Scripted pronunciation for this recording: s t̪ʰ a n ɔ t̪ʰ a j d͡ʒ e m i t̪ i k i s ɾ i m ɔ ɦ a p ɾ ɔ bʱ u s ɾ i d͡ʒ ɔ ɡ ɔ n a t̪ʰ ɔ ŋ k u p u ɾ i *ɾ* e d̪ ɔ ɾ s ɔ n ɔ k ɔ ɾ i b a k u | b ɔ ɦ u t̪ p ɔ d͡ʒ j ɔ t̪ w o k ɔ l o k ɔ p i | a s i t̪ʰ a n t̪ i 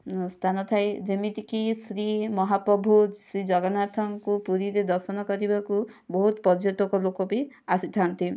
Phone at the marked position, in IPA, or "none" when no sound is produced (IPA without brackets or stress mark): ɾ